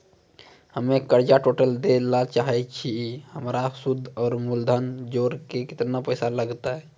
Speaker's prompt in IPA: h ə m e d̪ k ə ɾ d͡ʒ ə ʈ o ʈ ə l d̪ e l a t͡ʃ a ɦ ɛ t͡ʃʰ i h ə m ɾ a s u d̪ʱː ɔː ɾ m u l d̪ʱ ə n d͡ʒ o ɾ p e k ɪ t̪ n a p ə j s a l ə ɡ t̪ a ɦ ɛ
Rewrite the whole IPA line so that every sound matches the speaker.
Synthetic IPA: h ə m e k ə ɾ d͡ʒ a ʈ o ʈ ə l d̪ e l a t͡ʃ a ɦ ɛ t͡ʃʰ i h ə m ɾ a s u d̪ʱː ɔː ɾ m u l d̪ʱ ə n d͡ʒ o ɾ k e k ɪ t̪ n a p ə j s a l ə ɡ t̪ a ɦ ɛ